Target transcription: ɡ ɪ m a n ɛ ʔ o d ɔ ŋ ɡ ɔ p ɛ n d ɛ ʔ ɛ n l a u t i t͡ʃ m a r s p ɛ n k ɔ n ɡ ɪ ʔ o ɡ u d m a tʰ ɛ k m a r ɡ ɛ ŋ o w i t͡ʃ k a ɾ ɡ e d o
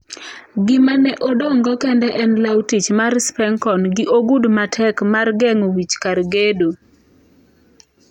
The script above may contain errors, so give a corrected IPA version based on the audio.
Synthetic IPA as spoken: ɡ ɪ m a n ɛ ʔ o d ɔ ŋ ɡ ɔ k ɛ n d ɛ ʔ ɛ n l a w t i t͡ʃ m a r s p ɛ ŋ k ɔ n ɡ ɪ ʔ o ɡ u d m a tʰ ɛ k m a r ɡ ɛ ŋ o w i t͡ʃ k a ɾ ɡ e d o

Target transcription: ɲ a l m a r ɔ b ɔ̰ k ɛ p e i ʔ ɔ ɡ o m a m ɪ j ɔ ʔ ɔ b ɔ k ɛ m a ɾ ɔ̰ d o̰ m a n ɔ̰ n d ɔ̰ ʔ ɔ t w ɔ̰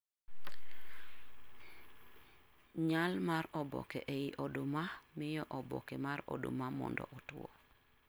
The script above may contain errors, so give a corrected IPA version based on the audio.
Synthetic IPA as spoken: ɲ a l m a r ɔ b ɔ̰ k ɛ ʔ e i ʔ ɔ d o m a m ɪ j ɔ ʔ ɔ b ɔ k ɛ m a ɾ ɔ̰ d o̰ m a m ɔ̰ n d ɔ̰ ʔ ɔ t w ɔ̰

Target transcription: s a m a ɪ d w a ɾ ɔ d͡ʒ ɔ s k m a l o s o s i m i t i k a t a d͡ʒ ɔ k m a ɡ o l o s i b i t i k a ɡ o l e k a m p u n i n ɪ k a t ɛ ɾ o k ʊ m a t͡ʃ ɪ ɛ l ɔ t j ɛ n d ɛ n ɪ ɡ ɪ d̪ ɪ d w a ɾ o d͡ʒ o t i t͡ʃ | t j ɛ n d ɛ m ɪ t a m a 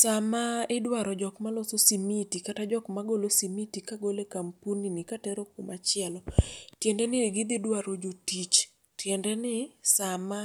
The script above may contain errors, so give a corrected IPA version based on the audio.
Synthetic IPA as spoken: s a m a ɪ d w a ɾ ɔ d͡ʒ ɔ k m a l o s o s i m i t i k a t a d͡ʒ ɔ k m a ɡ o l o s i m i t i k a ɡ o l e k a m p u n i n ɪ k a t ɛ ɾ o k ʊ m a t͡ʃ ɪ ɛ l ɔ t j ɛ n d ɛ n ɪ ɡ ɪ d̪ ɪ d w a ɾ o d͡ʒ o t i t͡ʃ | t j ɛ n d ɛ n ɪ s a m a

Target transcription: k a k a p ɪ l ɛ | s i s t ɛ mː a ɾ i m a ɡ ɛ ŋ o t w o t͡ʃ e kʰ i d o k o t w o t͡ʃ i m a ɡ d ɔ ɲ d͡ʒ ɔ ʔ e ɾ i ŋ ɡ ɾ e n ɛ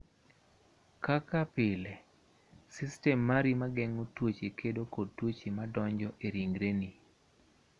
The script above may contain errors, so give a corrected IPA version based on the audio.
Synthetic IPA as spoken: k a k a p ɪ l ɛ | s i s t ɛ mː a ɾ i m a ɡ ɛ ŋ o t w o t͡ʃ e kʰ e d o k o t w o t͡ʃ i m a d ɔ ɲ d͡ʒ ɔ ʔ e ɾ i ŋ ɡ ɾ e n i

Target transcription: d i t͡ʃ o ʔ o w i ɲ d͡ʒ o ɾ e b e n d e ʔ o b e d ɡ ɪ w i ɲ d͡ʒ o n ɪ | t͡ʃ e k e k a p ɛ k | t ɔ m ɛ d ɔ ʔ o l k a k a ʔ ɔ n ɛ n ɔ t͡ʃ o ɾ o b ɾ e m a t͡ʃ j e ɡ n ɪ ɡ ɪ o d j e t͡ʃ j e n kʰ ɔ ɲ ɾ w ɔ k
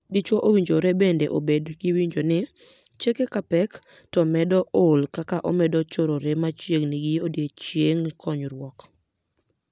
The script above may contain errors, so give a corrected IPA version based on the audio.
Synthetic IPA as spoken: d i t͡ʃ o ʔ o w i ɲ d͡ʒ o ɾ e b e n d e ʔ o b e d ɡ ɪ w i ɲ d͡ʒ o n ɪ | t͡ʃ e k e k a p ɛ k | t ɔ m ɛ d ɔ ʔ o l k a k a ʔ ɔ m ɛ d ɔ t͡ʃ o ɾ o ɾ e m a t͡ʃ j e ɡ n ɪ ɡ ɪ o d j e t͡ʃ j e ŋ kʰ ɔ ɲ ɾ w ɔ k

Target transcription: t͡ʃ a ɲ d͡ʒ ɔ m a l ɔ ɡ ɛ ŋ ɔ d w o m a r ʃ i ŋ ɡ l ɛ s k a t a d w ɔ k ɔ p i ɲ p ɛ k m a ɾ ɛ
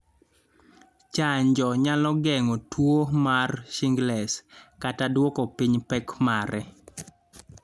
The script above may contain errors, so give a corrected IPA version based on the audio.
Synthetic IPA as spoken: t͡ʃ a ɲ d͡ʒ ɔ ɲ a l ɔ ɡ ɛ ŋ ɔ t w o m a r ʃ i ŋ ɡ l ɛ s k a t a d w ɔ k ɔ p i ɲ p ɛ k m a ɾ ɛ

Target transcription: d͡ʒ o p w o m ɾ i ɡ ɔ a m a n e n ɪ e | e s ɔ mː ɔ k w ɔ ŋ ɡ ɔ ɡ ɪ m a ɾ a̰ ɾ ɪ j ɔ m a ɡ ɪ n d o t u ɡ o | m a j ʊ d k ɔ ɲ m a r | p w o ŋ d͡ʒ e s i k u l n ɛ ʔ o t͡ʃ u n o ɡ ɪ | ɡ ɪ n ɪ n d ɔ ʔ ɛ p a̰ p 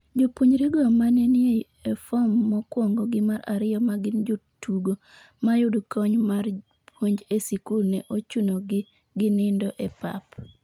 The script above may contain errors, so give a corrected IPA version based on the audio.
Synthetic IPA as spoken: d͡ʒ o p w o ɲ ɾ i ɡ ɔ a m a n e n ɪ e | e f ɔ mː ɔ k w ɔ ŋ ɡ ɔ ɡ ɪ m a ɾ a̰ ɾ ɪ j ɔ m a ɡ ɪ n d͡ʒ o t u ɡ o | m a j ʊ d k ɔ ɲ m a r | p w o ɲ d͡ʒ e s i k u l n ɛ ʔ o t͡ʃ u n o ɡ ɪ | ɡ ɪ n ɪ n d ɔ ʔ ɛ p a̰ p

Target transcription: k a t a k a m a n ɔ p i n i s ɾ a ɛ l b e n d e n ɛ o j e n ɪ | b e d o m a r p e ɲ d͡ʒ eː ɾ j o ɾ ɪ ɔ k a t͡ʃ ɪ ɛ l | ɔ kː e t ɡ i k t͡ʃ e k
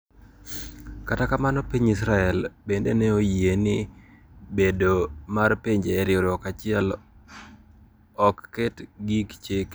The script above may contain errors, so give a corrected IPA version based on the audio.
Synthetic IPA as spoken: k a t a k a m a n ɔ p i ɲ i s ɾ a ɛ l b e n d e n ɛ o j e n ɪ | b e d o m a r p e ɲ d͡ʒ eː ɾ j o ɾ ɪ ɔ k a t͡ʃ ɪ ɛ l | ɔ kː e t ɡ i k t͡ʃ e k

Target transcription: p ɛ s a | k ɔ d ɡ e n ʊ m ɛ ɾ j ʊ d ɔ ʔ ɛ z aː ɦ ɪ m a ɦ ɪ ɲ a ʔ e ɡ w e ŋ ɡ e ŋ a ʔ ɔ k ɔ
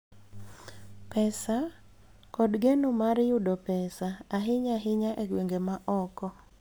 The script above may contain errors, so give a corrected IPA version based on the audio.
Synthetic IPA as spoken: p ɛ s a | k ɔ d ɡ e n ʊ m a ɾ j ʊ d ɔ p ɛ s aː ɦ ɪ ɲ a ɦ ɪ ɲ a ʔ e ɡ w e ŋ ɡ e m a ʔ ɔ k ɔ

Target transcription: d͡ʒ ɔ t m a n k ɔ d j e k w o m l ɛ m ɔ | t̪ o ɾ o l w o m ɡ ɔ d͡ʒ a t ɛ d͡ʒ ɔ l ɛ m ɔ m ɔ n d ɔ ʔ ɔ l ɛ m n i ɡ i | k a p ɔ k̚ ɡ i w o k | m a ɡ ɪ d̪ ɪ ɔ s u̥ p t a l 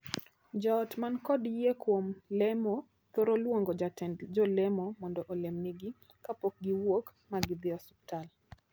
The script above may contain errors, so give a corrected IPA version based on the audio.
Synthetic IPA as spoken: d͡ʒ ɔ t m a n k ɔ d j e k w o m l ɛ m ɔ | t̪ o ɾ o l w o ŋ ɡ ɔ d͡ʒ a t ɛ d͡ʒ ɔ l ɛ m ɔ m ɔ n d ɔ ʔ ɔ l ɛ m n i ɡ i | k a p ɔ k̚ ɡ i w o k | m a ɡ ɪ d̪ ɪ ɔ s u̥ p t a l

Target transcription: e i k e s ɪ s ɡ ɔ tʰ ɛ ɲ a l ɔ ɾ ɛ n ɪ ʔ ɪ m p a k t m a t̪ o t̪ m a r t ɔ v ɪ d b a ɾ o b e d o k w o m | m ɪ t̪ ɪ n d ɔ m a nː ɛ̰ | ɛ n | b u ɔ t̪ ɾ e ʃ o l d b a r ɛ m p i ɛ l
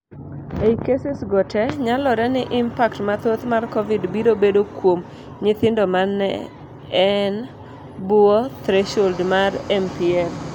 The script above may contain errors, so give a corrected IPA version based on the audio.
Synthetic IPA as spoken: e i k e s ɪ s ɡ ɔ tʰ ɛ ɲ a l ɔ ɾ ɛ n ɪ ʔ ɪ m p a k t m a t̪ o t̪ m a r k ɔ v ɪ d b i ɾ o b e d o k w o m | ɲ ɪ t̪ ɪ n d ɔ m a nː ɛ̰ | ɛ n | b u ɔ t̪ ɾ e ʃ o l d m a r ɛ m p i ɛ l

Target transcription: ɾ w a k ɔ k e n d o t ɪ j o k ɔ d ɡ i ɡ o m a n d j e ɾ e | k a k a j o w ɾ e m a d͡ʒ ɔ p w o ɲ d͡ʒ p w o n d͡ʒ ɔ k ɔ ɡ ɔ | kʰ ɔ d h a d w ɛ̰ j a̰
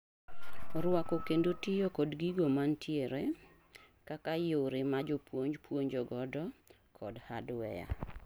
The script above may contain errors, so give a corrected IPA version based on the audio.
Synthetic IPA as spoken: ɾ w a k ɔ k e n d o t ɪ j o k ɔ d ɡ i ɡ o m a n t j e ɾ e | k a k a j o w ɾ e m a d͡ʒ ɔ p w o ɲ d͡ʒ p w o ɲ d͡ʒ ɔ ɡ ɔ d ɔ | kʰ ɔ d h a d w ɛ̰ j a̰

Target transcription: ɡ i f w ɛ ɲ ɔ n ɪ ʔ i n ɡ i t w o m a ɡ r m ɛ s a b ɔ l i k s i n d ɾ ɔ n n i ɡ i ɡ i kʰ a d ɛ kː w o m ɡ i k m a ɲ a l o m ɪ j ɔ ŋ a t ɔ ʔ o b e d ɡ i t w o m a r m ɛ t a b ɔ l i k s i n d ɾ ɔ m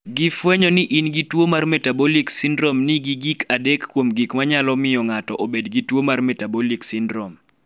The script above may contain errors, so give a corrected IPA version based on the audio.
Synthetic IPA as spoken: ɡ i f w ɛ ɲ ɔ n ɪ ʔ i n ɡ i t w o m a r m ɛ t a b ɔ l i k s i n d ɾ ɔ m n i ɡ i ɡ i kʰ a d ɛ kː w o m ɡ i k m a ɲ a l ɔ m ɪ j ɔ ŋ a t ɔ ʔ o b e d ɡ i t w o m a r m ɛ t a b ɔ l i k s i n d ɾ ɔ m

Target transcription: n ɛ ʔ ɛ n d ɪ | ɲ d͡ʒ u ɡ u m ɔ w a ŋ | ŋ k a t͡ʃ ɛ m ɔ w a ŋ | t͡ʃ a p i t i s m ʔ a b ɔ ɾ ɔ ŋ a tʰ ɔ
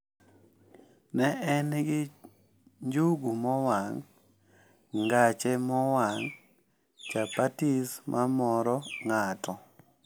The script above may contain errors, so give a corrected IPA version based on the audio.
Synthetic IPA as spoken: n ɛ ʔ ɛ n ɡ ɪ | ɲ d͡ʒ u ɡ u m ɔ w a ŋ | ŋ ɡ a t͡ʃ ɛ m ɔ w a ŋ | t͡ʃ a p a t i s m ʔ a m ɔ ɾ ɔ ŋ a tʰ ɔ

